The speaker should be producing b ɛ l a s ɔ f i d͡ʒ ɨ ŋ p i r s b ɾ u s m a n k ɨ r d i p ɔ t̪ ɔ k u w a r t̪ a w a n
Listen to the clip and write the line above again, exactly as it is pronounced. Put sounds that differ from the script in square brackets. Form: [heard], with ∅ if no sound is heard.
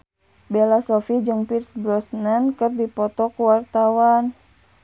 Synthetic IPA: b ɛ l a s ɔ f i d͡ʒ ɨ ŋ p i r s b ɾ [ɔ] s [n] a n k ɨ r d i p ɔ t̪ ɔ k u w a r t̪ a w a n